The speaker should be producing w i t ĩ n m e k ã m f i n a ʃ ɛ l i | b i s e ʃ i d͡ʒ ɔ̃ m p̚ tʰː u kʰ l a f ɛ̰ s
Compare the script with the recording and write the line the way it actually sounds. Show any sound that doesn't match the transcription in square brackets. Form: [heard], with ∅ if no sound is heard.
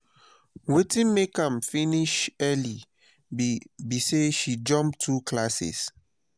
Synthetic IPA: w [e] t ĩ n m e k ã m f i n [i] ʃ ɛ l i | b i s e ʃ i d͡ʒ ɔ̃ m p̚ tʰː u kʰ l a [s] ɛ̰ s